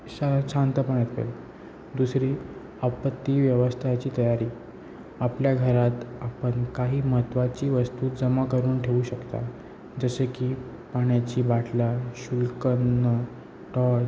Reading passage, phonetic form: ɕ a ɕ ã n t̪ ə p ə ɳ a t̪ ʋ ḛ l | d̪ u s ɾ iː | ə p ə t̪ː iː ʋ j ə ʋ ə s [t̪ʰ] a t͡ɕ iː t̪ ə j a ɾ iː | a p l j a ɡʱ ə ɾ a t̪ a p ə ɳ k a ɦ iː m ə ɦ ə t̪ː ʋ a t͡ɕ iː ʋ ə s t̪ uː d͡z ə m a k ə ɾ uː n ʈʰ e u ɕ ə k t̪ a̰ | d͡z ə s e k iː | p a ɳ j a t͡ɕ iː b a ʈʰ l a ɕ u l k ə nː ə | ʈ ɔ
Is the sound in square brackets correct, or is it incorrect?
correct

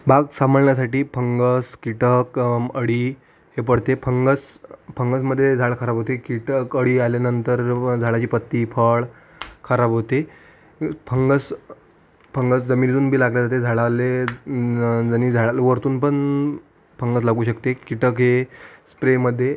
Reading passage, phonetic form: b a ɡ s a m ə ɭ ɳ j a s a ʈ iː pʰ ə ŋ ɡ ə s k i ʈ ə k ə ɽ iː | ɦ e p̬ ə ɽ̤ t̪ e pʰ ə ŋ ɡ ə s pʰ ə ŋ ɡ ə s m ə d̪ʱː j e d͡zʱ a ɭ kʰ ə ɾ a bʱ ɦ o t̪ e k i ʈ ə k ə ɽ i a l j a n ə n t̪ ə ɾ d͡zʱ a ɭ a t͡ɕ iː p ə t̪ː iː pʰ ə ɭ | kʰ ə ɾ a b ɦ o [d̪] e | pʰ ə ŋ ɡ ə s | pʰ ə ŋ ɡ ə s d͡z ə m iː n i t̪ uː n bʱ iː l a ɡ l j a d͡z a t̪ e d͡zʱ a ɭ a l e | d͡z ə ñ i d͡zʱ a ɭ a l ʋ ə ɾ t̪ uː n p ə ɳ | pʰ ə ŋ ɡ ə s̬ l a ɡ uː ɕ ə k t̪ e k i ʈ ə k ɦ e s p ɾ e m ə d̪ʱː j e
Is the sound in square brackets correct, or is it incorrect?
incorrect: t̪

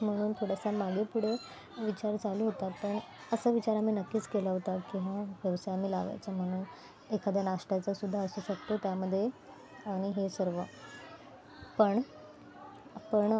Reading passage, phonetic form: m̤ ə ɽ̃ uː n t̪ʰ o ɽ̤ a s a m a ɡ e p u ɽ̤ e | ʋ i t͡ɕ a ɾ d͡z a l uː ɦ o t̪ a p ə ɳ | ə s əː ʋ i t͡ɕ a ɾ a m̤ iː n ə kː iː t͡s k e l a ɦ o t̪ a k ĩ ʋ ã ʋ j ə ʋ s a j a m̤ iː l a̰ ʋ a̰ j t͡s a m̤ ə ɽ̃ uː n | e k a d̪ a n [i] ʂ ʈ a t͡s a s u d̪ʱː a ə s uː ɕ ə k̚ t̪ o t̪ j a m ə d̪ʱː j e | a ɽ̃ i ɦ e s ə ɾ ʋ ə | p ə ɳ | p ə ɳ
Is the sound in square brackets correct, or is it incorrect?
incorrect: a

